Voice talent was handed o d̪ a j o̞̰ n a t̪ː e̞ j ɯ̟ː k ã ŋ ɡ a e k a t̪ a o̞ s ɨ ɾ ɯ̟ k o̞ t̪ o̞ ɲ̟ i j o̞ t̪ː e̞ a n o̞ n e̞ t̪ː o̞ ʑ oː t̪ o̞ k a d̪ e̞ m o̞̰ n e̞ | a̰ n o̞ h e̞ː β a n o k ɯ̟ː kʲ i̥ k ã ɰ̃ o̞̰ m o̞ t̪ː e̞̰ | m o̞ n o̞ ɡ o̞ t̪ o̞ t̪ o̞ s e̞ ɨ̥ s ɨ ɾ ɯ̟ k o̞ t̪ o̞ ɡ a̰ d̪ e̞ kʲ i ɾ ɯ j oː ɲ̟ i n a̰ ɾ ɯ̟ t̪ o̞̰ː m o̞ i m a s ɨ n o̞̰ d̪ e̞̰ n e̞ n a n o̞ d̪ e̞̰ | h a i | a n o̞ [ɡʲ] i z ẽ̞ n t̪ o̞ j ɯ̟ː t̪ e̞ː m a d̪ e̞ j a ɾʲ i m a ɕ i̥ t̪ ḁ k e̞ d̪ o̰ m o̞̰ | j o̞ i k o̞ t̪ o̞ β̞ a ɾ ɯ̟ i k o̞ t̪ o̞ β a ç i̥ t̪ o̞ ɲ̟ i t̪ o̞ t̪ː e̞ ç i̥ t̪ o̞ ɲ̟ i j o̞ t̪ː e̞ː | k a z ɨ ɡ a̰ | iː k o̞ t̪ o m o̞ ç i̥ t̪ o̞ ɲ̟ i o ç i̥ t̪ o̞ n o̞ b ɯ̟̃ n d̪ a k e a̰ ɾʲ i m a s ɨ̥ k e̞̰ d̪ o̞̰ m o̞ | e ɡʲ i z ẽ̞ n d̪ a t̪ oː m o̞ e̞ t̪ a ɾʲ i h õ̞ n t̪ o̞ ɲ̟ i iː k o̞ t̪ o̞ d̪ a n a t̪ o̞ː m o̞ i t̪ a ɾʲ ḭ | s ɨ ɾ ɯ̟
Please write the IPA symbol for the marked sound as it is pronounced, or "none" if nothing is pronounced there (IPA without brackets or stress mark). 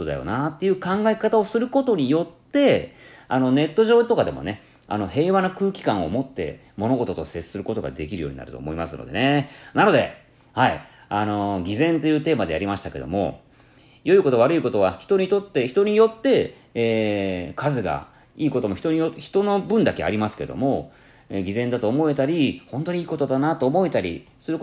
ɡʲ